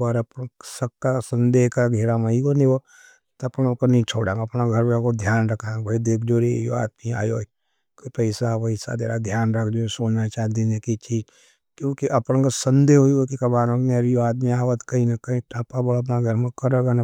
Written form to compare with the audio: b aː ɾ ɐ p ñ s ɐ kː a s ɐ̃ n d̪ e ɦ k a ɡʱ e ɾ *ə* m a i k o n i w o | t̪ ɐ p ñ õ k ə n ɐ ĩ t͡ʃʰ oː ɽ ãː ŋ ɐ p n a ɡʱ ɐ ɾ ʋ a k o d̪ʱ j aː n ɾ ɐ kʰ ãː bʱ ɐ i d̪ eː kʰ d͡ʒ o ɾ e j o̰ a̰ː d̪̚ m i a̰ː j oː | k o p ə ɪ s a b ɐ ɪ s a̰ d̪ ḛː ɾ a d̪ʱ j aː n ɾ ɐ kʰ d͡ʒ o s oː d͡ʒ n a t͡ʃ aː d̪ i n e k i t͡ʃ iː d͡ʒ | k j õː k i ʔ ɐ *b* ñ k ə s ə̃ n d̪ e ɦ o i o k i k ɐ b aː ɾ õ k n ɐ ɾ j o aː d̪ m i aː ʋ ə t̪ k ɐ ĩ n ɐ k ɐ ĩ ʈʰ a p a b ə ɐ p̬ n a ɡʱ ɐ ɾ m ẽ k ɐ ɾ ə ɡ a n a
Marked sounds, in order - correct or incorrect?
incorrect: a, incorrect: p

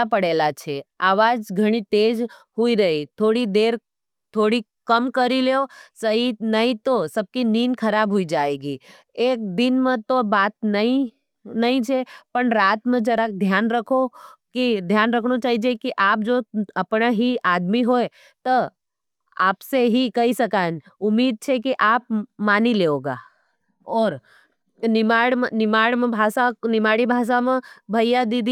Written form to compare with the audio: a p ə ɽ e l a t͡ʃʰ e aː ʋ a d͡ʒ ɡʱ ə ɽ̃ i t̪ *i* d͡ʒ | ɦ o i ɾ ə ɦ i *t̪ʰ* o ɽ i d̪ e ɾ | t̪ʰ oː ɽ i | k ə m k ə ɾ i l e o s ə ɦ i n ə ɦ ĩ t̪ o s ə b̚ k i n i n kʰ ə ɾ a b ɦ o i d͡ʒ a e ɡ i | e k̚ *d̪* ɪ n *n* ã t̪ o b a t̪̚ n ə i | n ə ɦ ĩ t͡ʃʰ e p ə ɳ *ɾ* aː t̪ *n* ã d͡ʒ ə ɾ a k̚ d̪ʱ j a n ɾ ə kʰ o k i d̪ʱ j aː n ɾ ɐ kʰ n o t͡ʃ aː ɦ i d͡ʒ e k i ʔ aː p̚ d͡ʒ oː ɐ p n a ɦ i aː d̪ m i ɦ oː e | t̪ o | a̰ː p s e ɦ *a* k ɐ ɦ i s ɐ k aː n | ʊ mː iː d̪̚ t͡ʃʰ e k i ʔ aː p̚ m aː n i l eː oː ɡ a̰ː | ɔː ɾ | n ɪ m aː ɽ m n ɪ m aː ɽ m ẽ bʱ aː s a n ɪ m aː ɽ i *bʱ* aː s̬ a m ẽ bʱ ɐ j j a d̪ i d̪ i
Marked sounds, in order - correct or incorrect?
incorrect: e, correct, correct, incorrect: m, correct, incorrect: m, incorrect: i, correct

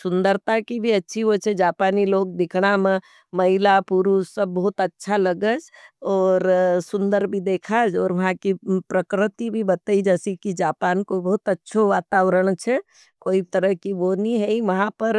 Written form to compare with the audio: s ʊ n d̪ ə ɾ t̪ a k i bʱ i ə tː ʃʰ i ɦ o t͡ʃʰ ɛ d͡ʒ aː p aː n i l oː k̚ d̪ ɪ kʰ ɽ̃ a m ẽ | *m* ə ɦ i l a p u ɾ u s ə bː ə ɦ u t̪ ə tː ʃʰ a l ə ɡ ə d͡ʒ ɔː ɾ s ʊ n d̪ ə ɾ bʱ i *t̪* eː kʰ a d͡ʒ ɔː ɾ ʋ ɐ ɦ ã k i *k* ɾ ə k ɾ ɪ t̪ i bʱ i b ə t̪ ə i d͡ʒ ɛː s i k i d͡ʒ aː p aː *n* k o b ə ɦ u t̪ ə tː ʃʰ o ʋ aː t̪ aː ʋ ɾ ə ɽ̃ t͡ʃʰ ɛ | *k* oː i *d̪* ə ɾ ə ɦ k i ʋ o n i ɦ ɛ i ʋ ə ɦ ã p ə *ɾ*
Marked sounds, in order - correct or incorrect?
correct, incorrect: d̪, incorrect: p, correct, correct, incorrect: t̪, correct

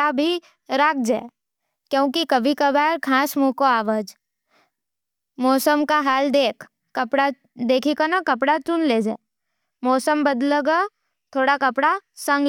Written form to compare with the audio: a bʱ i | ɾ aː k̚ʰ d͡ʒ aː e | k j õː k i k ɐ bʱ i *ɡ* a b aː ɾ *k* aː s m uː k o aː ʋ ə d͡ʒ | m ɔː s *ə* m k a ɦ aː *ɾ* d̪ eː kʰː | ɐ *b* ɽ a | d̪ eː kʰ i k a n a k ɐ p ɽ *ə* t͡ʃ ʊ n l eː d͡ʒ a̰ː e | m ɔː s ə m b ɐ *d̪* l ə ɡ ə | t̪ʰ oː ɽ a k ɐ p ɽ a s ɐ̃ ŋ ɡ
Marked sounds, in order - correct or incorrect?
incorrect: k, incorrect: kʰ, correct, incorrect: l, incorrect: p, incorrect: a, correct

